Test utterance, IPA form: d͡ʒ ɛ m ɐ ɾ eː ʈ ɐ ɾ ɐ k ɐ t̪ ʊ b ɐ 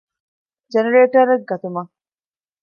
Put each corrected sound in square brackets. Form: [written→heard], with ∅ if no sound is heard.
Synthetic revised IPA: d͡ʒ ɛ [m→n] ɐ ɾ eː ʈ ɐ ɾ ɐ [k→ɡ] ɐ t̪ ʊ [b→m] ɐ